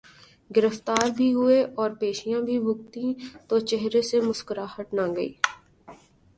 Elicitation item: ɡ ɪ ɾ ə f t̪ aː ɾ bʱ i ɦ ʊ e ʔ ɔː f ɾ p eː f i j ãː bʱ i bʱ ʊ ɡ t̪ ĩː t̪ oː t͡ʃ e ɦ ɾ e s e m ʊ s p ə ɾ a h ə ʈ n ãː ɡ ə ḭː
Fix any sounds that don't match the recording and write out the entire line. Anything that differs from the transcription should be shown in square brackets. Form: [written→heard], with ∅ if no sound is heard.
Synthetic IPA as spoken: ɡ ɪ ɾ ə f t̪ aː ɾ bʱ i ɦ ʊ e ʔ ɔː [f→∅] ɾ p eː [f→ʃ] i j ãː bʱ i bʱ ʊ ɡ t̪ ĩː t̪ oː t͡ʃ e ɦ ɾ e s e m ʊ s [p→k] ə ɾ a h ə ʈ n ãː ɡ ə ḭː